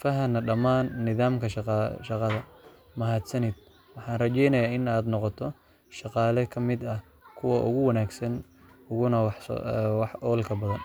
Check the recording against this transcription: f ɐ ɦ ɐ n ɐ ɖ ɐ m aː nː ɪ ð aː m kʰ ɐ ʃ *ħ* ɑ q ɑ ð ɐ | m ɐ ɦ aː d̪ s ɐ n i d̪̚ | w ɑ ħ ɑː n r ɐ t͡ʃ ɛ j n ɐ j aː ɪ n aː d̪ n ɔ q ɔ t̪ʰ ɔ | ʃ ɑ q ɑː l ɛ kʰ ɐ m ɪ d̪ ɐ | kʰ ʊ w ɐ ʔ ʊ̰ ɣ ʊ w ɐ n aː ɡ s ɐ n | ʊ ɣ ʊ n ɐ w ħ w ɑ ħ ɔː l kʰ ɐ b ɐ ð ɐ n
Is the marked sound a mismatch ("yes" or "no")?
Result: yes